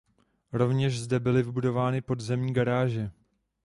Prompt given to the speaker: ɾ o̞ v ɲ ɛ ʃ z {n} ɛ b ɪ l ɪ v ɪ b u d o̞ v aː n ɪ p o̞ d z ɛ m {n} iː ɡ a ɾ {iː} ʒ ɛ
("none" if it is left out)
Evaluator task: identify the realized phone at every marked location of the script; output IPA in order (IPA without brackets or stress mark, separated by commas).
d, ɲ, aː